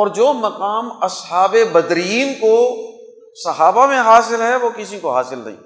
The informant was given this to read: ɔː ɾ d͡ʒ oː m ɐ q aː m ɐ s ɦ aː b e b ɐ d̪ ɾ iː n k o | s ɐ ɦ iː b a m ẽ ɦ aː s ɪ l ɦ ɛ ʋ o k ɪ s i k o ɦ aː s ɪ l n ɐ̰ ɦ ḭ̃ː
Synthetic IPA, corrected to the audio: ɔː ɾ d͡ʒ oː m ɐ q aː m ɐ s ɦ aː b e b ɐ d̪ ɾ iː n k o | s ɐ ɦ aː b a m ẽ ɦ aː s ɪ l ɦ ɛ ʋ o k ɪ s i k o ɦ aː s ɪ l n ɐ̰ ɦ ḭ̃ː